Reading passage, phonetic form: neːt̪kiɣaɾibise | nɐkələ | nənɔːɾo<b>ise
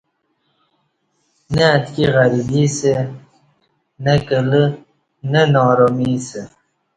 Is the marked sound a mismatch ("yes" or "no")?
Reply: yes